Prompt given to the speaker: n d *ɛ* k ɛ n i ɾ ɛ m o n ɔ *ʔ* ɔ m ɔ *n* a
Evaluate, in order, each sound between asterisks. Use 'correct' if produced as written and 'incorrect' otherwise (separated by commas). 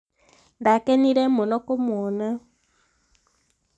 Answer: incorrect, incorrect, correct